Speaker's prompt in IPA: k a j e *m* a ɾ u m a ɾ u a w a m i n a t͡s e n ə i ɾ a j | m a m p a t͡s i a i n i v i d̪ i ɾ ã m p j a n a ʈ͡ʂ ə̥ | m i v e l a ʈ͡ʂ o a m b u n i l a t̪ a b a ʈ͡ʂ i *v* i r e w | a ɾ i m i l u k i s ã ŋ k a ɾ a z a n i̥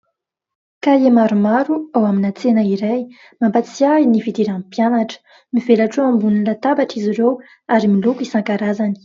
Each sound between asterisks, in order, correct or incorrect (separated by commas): correct, incorrect